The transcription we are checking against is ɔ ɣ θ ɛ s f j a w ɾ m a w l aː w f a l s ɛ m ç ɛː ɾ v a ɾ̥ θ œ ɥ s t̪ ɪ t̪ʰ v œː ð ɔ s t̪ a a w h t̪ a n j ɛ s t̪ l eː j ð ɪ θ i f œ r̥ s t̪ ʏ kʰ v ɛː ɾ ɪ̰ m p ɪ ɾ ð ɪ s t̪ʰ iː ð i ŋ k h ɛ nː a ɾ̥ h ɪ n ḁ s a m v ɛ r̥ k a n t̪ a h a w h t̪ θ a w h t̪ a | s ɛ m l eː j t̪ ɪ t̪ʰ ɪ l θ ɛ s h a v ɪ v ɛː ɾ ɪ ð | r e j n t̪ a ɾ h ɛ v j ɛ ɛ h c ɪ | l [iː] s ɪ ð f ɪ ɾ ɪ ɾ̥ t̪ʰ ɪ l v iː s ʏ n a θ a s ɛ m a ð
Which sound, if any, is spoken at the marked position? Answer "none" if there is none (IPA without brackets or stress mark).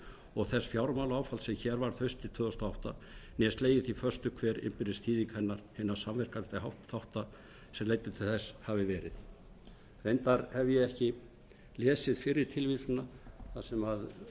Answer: ɛː